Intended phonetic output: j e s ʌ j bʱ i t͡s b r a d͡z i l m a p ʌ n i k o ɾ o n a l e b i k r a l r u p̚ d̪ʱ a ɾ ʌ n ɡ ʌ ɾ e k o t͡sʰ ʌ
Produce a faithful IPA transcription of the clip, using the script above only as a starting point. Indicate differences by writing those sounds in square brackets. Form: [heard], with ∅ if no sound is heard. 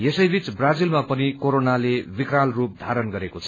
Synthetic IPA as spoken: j e s ʌ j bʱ i t͡s b r a d͡z i l m a p ʌ n i k o ɾ o n a l e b i k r a l r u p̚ d̪ʱ a ɾ ʌ n ɡ ʌ ɾ e k o t͡sʰ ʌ

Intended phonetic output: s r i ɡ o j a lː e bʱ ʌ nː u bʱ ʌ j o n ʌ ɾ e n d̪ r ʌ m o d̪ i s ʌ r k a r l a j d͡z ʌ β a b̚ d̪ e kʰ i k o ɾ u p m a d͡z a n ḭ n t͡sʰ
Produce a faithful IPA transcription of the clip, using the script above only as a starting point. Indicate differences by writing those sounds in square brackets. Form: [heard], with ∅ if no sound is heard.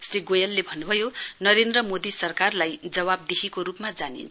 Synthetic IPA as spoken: s r i ɡ o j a lː e bʱ ʌ nː u bʱ ʌ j o n ʌ ɾ e n d̪ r ʌ m o d̪ i s ʌ r k a r l a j d͡z ʌ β a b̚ d̪ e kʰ i k o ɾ u p m a d͡z a n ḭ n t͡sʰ

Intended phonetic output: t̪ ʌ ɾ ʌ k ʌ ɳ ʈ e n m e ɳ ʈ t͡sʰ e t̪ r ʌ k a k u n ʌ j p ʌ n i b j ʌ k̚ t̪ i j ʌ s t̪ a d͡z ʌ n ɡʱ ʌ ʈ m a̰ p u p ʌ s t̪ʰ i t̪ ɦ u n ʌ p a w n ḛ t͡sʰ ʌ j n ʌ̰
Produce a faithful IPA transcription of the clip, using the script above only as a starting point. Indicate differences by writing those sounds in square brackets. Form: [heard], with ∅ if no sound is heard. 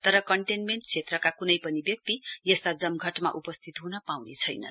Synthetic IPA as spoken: t̪ ʌ ɾ ʌ k ʌ ɳ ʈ e n m e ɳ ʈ t͡sʰ e t̪ r ʌ k a k u n ʌ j p ʌ n i b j ʌ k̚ t̪ i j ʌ s t̪ a d͡z ʌ [m] ɡʱ ʌ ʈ m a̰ [ʔ] u p ʌ s t̪ʰ i t̪ ɦ u n ʌ p a w n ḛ t͡sʰ ʌ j n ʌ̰

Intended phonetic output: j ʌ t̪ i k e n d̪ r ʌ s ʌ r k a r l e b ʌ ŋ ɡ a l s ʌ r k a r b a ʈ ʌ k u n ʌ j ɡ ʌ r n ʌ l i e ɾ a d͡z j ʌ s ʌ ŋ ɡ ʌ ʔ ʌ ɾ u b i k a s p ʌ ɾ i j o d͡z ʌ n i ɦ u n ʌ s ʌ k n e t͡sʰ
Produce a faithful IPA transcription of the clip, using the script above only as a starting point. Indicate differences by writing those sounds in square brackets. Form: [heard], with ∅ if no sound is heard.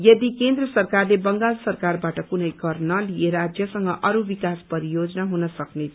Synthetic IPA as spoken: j ʌ [d̪] i k e n d̪ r ʌ s ʌ r k a r l e b ʌ ŋ ɡ a l s ʌ r k a r b a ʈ ʌ k u n ʌ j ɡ ʌ r n ʌ l i e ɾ a d͡z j ʌ s ʌ ŋ ɡ ʌ ʔ ʌ ɾ u b i k a s p ʌ ɾ i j o d͡z ʌ n [a] ɦ u n ʌ s ʌ k n e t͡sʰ

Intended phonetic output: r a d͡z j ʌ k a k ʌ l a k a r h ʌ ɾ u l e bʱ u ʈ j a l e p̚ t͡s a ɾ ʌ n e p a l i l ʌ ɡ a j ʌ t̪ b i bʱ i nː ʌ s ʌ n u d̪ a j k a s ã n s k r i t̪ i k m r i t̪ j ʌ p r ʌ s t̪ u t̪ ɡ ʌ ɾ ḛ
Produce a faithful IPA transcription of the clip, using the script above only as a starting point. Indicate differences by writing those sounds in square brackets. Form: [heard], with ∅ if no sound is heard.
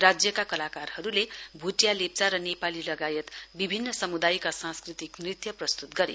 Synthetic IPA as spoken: r a d͡z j ʌ k a k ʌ l a k a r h ʌ ɾ u l e bʱ u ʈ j a l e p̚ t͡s a ɾ ʌ n e p a l i l ʌ ɡ a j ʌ t̪ b i bʱ i nː ʌ s ʌ [m] u d̪ a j k a s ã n s k r i t̪ i k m r i t̪ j ʌ p r ʌ s t̪ u t̪ ɡ ʌ ɾ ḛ

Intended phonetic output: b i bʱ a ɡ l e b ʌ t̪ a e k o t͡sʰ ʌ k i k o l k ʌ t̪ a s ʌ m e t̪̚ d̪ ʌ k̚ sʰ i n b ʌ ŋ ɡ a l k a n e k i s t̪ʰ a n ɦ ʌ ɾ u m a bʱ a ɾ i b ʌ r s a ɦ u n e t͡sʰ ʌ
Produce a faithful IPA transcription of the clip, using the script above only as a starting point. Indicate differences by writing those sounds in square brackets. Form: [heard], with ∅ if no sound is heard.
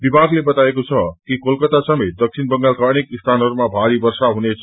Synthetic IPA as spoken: b i bʱ a ɡ l e b ʌ t̪ a e k o t͡sʰ ʌ k i k o l k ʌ t̪ a s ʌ m e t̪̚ d̪ ʌ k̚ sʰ i n b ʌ ŋ ɡ a l k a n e k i s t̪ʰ a n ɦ ʌ ɾ u m a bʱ a ɾ i b ʌ r s a ɦ u n e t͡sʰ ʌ

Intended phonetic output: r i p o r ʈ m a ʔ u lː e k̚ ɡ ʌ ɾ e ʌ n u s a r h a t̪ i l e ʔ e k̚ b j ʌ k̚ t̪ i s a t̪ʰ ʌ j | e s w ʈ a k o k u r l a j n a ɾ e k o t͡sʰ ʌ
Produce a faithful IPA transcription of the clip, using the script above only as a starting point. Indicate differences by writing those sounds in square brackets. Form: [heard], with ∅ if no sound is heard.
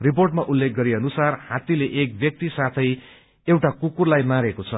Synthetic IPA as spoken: r i p o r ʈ m a ʔ u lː e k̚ ɡ ʌ ɾ [i] ʌ n u s a r h a t̪ i l e ʔ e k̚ b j ʌ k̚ t̪ i s a t̪ʰ ʌ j | e [∅] w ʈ a k [u] k u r l a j [m] a ɾ e k o t͡sʰ ʌ

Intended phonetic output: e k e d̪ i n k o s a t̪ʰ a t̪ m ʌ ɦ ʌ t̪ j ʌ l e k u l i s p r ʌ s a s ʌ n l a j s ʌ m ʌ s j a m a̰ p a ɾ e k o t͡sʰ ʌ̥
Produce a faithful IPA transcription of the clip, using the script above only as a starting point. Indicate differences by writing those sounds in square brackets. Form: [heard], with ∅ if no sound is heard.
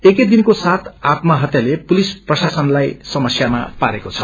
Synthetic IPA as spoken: e k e d̪ i n k o s a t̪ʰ a t̪ m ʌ ɦ ʌ t̪ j [a] l e [p] u l i s p r ʌ s a s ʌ n l a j s ʌ m ʌ s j a m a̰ p a ɾ e k o t͡sʰ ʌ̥

